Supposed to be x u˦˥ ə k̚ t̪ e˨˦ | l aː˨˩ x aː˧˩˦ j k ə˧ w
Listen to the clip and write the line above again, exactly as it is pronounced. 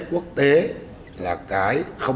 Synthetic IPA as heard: k u˦˥ ə k̚ t̪ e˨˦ | l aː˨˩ k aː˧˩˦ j x ə˧ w